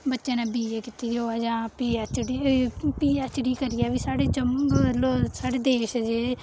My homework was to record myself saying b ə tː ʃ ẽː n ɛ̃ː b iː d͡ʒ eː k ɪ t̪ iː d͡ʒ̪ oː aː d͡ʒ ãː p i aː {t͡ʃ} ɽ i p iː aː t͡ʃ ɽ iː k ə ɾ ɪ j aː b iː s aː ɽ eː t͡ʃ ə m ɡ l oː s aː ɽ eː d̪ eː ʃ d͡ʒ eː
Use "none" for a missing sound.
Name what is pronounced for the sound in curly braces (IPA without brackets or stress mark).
t͡ʃ